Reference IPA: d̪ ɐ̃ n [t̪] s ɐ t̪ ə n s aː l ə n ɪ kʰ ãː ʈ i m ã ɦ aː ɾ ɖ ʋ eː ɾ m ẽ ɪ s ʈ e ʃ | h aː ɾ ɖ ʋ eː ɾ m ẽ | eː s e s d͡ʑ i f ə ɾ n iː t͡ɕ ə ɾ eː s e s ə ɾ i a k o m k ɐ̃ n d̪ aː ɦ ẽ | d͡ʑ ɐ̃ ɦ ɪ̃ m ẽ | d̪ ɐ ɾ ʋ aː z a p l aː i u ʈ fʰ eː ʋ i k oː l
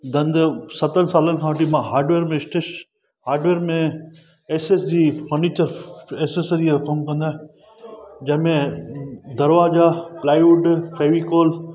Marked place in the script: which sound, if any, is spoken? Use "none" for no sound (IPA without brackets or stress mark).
d̪